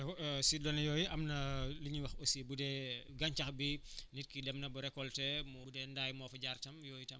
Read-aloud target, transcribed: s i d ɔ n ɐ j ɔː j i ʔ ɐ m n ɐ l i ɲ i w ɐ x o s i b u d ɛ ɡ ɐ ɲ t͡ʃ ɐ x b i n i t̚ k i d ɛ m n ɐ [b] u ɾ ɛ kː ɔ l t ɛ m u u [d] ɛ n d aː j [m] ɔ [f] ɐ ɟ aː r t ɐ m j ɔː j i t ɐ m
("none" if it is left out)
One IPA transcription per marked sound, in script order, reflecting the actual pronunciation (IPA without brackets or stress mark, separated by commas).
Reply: b, d, m, f